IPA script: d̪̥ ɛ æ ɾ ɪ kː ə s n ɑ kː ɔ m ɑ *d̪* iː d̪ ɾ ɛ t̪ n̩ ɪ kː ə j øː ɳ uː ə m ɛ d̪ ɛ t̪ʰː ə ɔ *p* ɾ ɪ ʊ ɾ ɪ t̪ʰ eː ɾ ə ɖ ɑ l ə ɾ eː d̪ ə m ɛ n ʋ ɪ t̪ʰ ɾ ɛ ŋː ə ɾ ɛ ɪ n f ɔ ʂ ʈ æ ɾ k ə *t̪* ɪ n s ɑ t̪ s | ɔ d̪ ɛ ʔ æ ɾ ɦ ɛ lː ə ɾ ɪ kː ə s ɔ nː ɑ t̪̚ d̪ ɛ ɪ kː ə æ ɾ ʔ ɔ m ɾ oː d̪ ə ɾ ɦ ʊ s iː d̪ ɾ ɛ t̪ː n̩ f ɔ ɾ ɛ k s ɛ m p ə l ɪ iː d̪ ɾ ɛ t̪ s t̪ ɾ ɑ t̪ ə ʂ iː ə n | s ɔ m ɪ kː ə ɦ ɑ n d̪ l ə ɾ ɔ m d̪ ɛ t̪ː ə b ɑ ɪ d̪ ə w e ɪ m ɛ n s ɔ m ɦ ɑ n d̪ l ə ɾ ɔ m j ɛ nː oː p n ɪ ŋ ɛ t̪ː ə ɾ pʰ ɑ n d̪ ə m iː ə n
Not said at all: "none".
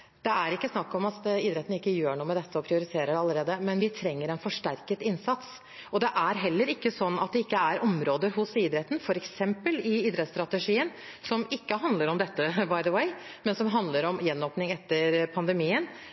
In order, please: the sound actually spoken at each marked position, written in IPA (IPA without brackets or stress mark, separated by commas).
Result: t̪, pʰ, t̪